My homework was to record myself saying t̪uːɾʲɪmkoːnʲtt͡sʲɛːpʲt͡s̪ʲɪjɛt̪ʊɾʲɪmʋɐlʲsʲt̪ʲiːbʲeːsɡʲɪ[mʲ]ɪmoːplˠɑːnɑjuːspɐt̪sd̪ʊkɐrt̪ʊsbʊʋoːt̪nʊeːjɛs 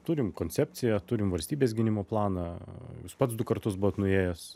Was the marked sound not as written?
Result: yes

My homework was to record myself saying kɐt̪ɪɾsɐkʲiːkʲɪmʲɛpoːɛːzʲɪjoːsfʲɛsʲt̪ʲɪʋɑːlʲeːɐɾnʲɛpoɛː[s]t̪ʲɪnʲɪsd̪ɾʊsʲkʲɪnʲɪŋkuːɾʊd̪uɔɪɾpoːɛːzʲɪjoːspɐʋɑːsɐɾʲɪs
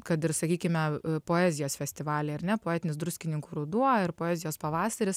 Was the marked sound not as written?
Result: yes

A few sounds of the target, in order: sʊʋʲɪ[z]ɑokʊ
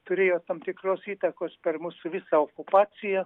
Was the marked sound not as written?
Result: yes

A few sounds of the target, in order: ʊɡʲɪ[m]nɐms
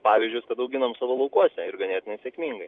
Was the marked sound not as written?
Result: yes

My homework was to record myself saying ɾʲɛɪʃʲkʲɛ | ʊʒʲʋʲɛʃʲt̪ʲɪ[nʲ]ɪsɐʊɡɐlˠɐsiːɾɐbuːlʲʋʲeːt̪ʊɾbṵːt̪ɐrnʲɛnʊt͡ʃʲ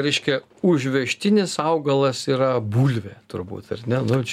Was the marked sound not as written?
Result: no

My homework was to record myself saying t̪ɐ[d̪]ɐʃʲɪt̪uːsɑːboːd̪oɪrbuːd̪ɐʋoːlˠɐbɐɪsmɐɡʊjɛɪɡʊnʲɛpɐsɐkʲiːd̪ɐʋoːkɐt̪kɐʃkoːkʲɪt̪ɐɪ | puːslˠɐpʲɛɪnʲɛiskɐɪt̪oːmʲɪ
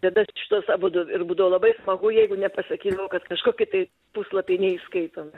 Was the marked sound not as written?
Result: no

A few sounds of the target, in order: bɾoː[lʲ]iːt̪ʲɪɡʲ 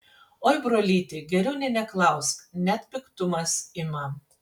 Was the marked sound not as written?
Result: no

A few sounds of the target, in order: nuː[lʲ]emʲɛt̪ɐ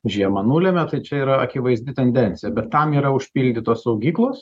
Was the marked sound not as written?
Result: no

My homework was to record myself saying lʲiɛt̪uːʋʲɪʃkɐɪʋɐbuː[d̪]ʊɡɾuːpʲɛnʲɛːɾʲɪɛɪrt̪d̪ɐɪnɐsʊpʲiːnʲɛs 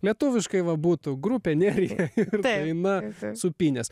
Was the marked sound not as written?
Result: yes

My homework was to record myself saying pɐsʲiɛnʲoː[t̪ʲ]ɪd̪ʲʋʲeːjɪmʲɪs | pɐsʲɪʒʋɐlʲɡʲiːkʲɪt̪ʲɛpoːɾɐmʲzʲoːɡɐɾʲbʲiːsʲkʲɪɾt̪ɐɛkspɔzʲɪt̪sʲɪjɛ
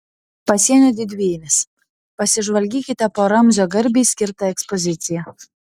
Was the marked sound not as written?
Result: yes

